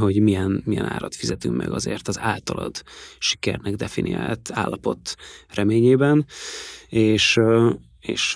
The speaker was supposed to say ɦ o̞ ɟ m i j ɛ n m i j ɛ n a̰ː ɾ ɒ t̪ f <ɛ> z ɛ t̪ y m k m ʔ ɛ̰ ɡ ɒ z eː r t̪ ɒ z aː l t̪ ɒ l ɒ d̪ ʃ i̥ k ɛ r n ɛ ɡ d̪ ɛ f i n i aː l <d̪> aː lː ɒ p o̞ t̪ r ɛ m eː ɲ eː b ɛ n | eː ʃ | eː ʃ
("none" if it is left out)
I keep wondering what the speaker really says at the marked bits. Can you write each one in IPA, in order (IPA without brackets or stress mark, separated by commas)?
i, t̪